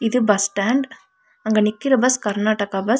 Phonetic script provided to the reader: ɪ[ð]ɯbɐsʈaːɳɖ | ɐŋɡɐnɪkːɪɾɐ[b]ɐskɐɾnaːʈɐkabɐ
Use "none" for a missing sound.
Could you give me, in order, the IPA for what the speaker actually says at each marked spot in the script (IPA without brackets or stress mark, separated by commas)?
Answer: ð, b